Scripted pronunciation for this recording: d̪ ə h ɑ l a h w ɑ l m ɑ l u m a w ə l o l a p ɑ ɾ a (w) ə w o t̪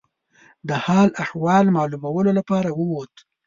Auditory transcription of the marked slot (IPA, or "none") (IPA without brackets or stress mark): w